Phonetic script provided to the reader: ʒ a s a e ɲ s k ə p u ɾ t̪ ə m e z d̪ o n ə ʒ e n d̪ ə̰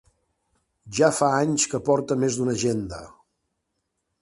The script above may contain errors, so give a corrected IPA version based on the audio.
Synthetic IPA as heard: ʒ a f a a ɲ s k ə p ɔ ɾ t̪ ə m e z d̪ u n ə ʒ e n d̪ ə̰